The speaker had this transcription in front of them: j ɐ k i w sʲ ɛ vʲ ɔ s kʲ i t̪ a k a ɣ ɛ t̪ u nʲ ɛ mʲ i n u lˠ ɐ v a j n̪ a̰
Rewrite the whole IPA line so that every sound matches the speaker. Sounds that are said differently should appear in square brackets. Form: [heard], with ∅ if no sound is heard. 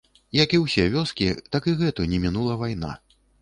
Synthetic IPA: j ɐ k i w sʲ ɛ vʲ ɔ s kʲ i t̪ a k [i] ɣ ɛ t̪ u nʲ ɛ mʲ i n u lˠ ɐ v a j n̪ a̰